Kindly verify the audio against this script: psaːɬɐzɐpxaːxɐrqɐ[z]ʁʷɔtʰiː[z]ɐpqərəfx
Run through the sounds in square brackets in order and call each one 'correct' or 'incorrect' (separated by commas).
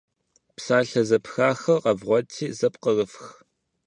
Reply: incorrect, correct